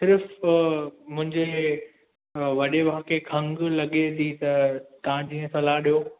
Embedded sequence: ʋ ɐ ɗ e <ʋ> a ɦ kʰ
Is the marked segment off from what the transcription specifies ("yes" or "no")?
no